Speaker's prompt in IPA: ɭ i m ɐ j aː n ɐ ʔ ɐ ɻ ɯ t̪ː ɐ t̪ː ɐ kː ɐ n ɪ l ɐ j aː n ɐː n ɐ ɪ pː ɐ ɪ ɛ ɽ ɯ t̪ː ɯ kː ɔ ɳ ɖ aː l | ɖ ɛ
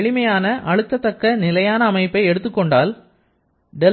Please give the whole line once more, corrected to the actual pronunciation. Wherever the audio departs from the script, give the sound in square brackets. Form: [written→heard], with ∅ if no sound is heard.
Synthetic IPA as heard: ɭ [i→ɪ] m ɐ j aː n ɐ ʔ ɐ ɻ ɯ t̪ː ɐ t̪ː ɐ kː ɐ n ɪ l ɐ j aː n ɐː [n→m] ɐ ɪ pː ɐ ɪ ɛ ɽ ɯ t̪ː ɯ kː ɔ ɳ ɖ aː l | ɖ ɛ